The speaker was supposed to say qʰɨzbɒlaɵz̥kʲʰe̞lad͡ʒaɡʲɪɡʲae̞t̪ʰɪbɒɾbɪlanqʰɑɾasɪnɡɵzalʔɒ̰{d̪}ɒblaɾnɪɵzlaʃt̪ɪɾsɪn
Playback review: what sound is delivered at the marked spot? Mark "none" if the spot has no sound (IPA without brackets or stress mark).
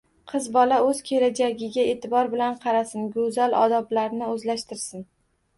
d̪